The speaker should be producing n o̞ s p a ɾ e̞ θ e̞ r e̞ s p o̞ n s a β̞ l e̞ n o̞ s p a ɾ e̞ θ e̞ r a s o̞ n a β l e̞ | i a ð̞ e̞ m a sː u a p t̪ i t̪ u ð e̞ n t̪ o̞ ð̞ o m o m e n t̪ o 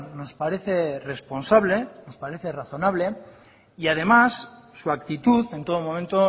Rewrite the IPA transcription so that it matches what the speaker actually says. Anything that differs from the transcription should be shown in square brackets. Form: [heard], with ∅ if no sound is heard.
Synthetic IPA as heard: n o̞ s p a ɾ e̞ θ e̞ r e̞ s p o̞ n s a β̞ l e̞ n o̞ s p a ɾ e̞ θ e̞ r a [θ] o̞ n a β l e̞ | i a ð̞ e̞ m a sː u a [k] t̪ i t̪ u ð e̞ n t̪ o̞ ð̞ o m o m e n t̪ o